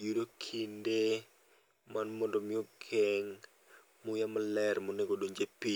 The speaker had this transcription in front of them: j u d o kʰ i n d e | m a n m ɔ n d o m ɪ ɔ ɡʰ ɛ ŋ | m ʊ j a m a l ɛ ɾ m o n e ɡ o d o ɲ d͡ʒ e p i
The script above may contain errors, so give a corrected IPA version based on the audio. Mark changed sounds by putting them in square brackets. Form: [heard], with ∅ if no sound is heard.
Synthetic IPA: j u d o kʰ i n d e | m a n m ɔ n d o m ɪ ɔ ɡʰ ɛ ŋ | m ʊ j a m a l ɛ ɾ m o n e ɡ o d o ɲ d͡ʒ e p i